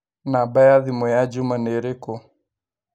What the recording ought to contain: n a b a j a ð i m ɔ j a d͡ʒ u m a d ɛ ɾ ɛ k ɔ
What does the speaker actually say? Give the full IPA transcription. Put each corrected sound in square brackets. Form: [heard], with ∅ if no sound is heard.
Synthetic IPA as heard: n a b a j a ð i m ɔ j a d͡ʒ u m a [n] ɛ ɾ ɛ k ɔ

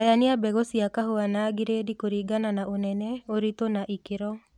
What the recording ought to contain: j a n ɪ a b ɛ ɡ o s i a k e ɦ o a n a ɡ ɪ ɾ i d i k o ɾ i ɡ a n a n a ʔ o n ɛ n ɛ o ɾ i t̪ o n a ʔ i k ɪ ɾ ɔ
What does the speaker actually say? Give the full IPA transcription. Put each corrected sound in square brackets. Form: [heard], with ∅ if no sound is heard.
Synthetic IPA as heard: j a n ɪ a b ɛ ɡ o s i a k [a] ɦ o a n a ɡ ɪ ɾ [e] d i k o ɾ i ɡ a n a n a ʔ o n ɛ n ɛ o ɾ i t̪ o n a ʔ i k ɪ ɾ ɔ

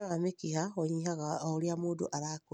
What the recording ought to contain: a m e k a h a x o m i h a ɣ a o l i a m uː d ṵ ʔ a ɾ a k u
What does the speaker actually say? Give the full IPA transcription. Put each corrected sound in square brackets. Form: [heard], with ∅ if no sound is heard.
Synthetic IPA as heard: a m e k [i] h a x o [ɲ] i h a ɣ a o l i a m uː d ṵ ʔ a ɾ a k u

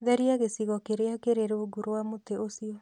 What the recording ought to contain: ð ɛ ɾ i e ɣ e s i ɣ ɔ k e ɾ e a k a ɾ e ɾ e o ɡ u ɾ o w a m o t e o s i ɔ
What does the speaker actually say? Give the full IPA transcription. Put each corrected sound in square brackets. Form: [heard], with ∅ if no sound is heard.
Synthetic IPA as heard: ð ɛ ɾ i [a] ɣ e s i ɣ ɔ k e ɾ e a k [e] ɾ e ɾ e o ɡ u ɾ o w a m o t e o s i ɔ

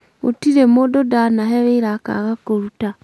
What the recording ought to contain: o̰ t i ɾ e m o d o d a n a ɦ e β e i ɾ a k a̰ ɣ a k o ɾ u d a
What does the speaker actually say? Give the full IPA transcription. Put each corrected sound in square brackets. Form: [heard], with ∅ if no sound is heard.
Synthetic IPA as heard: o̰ t i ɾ e m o d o d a n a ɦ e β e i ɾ a k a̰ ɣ a k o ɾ u [t] a

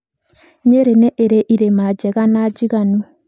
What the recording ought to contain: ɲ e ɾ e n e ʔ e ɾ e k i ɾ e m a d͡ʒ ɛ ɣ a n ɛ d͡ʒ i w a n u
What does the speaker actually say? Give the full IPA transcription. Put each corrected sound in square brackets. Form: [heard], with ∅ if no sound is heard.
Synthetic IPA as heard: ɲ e ɾ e n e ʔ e ɾ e [ʔ] i ɾ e m a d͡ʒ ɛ ɣ a n [a] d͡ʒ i [ɣ] a n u

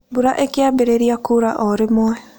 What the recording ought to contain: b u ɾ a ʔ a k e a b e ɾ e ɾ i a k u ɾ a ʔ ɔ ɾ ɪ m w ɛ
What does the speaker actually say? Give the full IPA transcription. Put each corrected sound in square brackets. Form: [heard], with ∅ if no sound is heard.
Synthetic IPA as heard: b u ɾ a ʔ [e] k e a b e ɾ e ɾ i a k u ɾ a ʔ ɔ ɾ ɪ m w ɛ

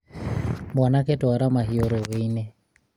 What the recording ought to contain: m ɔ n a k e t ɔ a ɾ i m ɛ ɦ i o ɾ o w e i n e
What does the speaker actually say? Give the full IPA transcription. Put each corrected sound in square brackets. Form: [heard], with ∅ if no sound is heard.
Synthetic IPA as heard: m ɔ n a k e t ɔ a ɾ [a] m [a] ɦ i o ɾ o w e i n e

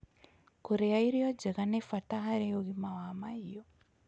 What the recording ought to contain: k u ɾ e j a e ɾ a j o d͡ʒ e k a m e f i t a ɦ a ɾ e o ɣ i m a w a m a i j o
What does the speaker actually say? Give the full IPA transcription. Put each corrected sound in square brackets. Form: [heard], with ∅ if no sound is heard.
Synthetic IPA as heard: k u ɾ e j a [i] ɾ [i] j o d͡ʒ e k a [n] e f [a] t a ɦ a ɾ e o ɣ i m a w a m a i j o

